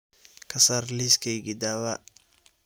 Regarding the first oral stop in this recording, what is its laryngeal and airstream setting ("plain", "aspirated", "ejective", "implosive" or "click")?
aspirated